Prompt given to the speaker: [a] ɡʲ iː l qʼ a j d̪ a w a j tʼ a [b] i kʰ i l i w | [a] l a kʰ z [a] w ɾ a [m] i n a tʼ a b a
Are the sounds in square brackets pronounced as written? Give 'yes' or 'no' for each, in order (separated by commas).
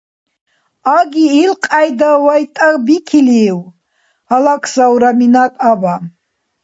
yes, yes, yes, yes, yes